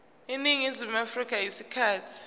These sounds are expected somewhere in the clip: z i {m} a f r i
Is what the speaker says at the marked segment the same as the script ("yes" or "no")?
yes